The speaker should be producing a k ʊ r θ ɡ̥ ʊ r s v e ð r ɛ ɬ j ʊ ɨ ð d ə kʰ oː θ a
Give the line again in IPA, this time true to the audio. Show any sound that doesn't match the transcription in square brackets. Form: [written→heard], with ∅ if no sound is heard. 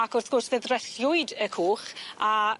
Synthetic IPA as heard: a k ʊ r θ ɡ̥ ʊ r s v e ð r ɛ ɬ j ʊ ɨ [ð→∅] d ə kʰ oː [θ→χ] a

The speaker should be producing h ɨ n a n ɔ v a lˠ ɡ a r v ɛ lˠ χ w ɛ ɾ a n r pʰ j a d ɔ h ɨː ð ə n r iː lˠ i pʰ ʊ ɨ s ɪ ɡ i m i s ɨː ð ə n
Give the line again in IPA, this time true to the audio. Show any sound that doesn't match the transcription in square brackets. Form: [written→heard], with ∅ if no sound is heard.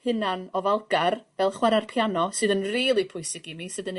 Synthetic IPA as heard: h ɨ n a n ɔ v a lˠ ɡ a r v ɛ lˠ χ w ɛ ɾ a [n→∅] r pʰ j a [d→n] ɔ [h→s] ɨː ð ə n r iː lˠ i pʰ ʊ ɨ s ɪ ɡ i m i s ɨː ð ə n

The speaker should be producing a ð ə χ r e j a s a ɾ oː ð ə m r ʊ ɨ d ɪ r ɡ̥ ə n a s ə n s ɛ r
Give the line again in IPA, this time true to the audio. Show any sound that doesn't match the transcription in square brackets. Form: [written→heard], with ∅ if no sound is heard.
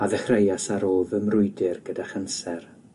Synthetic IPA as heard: a ð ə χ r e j a s a ɾ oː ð ə m r ʊ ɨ d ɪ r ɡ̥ ə [n→d] a [s→χ] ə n s ɛ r

